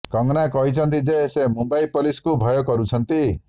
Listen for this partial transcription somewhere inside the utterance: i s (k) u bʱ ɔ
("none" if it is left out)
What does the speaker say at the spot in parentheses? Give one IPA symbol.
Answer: k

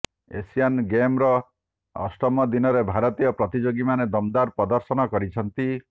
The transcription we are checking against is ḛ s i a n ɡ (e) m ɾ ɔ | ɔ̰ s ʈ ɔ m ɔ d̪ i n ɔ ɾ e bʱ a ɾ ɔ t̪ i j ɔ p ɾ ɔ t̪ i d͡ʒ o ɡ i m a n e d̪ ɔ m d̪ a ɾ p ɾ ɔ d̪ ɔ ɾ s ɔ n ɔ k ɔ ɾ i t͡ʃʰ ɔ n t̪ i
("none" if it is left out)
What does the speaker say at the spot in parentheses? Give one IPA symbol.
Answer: e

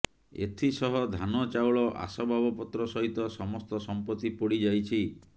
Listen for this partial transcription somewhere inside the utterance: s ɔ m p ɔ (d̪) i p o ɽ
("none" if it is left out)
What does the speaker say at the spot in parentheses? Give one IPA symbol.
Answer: t̪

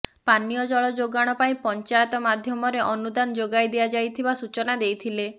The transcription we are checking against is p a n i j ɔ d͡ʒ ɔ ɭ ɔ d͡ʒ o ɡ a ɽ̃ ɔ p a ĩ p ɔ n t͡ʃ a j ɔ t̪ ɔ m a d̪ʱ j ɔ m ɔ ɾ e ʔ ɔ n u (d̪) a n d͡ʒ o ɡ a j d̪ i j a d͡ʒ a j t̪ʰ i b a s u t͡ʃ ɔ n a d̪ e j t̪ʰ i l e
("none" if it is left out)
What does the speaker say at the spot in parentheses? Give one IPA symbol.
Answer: d̪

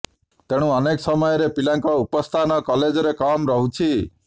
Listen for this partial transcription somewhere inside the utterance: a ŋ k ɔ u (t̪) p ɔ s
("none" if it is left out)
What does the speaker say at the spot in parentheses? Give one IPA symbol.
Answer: none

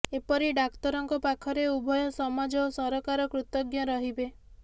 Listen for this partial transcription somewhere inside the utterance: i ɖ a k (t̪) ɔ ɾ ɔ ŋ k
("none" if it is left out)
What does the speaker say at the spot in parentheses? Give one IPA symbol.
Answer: t̪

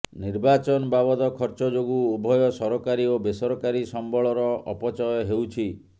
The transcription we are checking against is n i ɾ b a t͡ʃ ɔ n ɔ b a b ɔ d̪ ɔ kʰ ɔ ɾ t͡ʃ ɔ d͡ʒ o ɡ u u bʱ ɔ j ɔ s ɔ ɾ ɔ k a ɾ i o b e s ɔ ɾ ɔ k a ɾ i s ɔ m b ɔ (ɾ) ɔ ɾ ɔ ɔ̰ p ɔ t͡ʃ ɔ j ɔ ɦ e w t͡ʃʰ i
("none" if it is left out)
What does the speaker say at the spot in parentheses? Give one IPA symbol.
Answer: ɭ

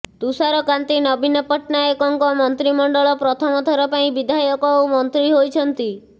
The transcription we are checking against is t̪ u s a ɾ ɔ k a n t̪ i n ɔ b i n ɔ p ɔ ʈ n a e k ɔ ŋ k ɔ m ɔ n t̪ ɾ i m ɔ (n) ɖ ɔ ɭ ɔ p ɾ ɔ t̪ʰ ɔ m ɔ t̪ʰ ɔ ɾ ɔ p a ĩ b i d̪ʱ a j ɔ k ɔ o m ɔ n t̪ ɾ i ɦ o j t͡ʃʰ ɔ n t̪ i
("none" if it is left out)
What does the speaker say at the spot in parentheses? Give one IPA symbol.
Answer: ɳ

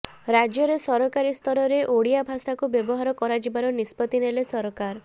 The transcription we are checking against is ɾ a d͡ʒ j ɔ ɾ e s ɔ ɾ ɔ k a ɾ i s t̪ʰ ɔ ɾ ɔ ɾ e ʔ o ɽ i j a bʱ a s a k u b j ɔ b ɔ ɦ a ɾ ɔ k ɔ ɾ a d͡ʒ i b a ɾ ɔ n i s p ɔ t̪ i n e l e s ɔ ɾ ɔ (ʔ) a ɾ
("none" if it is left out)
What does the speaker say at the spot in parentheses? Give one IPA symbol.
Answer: k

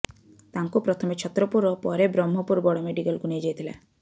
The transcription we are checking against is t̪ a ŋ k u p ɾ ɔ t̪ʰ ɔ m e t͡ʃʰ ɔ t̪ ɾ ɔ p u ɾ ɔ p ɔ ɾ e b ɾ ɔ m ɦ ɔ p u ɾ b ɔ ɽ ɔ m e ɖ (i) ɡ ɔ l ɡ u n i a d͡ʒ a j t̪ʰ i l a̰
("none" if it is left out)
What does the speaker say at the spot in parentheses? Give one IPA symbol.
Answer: i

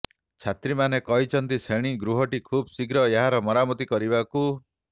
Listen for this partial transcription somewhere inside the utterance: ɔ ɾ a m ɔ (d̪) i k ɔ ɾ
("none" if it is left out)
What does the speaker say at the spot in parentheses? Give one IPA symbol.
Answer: t̪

